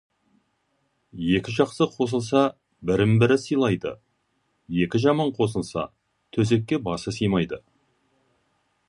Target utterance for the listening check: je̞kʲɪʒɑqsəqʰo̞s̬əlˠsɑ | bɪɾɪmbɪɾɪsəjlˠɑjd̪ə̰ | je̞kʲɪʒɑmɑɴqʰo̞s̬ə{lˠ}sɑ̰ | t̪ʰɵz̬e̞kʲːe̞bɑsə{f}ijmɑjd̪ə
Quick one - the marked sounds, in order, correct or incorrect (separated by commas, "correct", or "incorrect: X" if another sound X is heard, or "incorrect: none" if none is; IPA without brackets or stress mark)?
correct, incorrect: s